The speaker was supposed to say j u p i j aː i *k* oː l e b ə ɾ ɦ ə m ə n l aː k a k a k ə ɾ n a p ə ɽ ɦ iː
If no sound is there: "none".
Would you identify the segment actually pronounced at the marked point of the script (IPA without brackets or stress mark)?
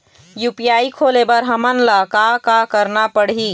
kʰ